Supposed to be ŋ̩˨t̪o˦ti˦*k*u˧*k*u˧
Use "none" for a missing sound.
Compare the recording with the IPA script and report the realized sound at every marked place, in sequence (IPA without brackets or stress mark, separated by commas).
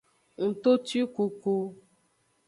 k, k